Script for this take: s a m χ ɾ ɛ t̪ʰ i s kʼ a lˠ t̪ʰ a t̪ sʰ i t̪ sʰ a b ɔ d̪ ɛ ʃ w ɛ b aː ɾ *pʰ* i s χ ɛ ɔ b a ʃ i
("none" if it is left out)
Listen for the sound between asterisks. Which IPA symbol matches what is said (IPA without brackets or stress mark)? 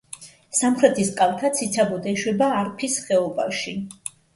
pʰ